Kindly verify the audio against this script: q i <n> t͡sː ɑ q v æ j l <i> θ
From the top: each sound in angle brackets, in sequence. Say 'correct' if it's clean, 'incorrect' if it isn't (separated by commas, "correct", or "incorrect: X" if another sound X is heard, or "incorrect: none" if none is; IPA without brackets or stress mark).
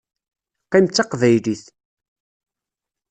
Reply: incorrect: m, correct